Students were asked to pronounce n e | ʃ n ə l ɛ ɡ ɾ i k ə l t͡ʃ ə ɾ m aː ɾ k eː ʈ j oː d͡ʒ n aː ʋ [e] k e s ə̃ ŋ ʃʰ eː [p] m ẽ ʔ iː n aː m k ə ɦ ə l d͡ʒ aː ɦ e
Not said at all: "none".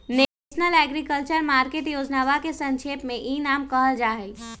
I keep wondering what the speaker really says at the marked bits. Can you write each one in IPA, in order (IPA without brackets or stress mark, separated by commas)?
a, p